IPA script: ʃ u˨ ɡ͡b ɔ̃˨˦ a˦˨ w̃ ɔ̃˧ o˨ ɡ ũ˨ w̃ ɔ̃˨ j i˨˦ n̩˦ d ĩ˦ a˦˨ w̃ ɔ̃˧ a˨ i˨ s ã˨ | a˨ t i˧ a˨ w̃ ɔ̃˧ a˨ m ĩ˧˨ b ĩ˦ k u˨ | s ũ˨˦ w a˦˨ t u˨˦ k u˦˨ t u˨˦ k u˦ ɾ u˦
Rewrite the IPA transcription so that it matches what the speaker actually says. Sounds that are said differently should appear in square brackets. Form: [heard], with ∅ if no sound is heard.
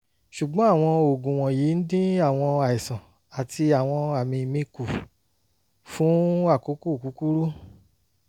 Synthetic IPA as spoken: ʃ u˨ ɡ͡b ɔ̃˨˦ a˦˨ w̃ ɔ̃˧ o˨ ɡ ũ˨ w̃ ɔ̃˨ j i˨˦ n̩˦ d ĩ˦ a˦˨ w̃ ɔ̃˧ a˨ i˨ s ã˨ | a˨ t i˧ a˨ w̃ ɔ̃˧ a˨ m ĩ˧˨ [m] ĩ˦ k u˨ | [f] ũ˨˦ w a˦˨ [k] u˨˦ k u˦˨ [k] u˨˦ k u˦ ɾ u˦